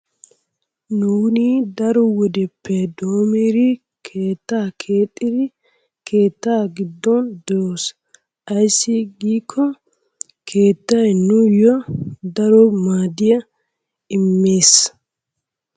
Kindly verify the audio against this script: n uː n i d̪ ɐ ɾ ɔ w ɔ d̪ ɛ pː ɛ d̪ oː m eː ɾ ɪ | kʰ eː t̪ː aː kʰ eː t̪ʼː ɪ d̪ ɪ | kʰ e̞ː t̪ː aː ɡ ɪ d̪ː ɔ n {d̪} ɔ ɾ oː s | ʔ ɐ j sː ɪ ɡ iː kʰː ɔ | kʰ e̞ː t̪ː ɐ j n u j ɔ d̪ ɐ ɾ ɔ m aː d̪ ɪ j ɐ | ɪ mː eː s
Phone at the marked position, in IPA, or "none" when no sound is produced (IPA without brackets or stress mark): d̪